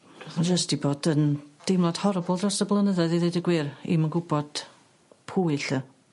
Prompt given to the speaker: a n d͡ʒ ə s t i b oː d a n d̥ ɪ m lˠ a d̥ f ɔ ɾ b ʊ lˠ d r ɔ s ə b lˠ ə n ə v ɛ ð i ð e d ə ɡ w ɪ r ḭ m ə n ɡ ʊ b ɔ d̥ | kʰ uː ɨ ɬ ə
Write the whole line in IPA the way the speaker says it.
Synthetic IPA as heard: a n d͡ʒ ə s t i b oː d ə n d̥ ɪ m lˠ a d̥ h ɔ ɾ b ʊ lˠ d r ɔ s ə b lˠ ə n ə ð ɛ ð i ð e d ə ɡ w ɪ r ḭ m ə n ɡ ʊ b ɔ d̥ | pʰ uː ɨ ɬ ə